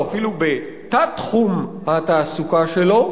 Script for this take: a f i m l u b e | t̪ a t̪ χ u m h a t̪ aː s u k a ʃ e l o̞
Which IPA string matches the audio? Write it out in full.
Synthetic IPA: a f i l u b e | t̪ a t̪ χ u m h a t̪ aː s u k a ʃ e l o̞